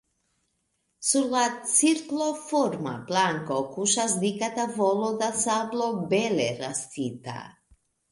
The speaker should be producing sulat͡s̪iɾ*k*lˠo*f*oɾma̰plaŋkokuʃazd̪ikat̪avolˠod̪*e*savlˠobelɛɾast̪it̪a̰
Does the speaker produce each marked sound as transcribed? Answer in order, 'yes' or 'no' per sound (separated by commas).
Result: yes, yes, no